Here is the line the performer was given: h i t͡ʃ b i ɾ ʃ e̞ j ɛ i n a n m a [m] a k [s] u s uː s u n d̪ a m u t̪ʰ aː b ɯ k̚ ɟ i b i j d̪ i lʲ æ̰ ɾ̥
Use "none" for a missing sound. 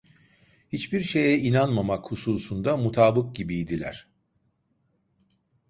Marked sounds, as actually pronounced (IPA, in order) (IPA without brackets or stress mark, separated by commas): m, h